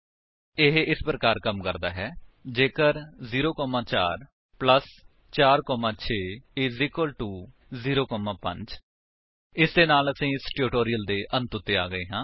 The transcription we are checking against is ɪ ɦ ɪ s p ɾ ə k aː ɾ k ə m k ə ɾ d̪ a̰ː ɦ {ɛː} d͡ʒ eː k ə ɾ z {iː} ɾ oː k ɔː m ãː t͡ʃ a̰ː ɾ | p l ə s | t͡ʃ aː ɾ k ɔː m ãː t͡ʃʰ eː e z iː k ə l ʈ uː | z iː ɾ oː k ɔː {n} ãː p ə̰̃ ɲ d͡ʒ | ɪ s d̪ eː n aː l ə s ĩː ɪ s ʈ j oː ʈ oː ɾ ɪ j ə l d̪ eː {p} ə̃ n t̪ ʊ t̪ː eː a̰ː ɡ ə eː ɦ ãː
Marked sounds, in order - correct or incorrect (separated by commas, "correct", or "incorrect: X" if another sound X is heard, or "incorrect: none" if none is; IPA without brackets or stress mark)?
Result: correct, correct, incorrect: m, incorrect: ʔ